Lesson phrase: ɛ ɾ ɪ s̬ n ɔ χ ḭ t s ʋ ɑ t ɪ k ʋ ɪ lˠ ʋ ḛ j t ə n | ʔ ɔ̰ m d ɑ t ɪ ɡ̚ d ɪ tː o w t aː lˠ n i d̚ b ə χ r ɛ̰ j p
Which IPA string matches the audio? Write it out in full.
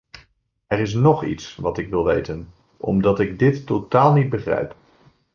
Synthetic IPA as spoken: ɛ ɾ ɪ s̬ n ɔ χ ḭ t s ʋ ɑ t ɪ k ʋ ɪ lˠ ʋ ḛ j t ə n | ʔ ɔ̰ m d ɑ t ɪ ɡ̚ d ɪ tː o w t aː lˠ n i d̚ b ə χ r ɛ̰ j p